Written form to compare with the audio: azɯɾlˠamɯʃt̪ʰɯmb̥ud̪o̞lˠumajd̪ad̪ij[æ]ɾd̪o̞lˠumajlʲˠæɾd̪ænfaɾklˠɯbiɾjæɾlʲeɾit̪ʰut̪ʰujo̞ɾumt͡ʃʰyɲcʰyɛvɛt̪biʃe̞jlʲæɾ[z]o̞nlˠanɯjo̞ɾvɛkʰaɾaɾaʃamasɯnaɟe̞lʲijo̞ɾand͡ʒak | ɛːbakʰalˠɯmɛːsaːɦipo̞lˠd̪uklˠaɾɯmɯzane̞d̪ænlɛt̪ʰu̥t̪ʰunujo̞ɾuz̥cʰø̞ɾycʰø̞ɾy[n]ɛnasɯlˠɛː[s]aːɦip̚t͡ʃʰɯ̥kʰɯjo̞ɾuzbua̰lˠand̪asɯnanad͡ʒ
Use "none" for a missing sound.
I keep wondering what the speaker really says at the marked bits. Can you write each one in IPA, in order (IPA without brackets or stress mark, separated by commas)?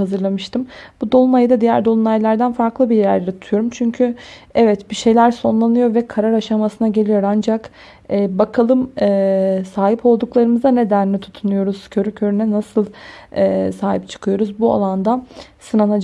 æ, s, n, s